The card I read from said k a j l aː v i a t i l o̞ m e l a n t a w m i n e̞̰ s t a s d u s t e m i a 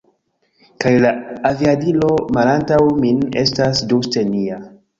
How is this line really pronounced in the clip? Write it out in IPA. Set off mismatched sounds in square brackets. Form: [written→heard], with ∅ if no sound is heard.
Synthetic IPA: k a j l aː v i a [t→d] i l o̞ m [e→a] l a n t a w m i n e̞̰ s t a s d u s t e [m→n] i a